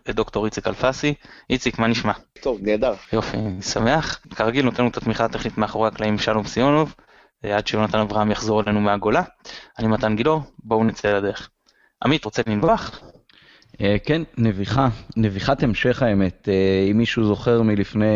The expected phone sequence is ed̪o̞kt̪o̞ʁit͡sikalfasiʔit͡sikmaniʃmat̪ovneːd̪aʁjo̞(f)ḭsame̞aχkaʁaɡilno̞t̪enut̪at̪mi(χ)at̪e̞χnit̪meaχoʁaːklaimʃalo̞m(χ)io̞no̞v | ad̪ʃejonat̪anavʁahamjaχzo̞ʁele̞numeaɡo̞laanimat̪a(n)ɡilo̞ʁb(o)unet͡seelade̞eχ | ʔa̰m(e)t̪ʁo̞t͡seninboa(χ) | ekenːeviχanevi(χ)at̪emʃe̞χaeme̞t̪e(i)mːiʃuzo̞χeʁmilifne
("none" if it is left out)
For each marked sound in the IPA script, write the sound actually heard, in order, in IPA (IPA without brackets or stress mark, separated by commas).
f, χ, s, n, o, i, χ, χ, i